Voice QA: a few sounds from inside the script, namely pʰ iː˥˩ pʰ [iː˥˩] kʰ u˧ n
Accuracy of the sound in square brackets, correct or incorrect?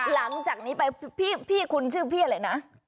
correct